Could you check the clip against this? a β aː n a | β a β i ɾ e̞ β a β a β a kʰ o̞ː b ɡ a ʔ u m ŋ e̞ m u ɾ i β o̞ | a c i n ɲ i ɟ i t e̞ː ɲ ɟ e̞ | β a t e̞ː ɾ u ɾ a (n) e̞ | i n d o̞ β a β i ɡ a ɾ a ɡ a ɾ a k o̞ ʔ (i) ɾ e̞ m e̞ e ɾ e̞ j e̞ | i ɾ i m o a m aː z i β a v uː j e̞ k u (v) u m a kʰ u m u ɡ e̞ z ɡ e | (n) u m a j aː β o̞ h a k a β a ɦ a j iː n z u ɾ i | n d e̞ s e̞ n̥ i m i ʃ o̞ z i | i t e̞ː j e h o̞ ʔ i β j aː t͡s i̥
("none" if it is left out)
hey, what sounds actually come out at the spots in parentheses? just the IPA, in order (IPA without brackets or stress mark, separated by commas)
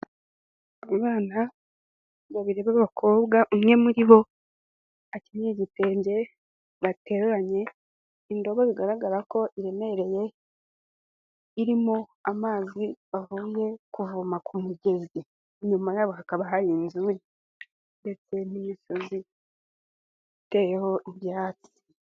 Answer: ɲ, i, v, ɲ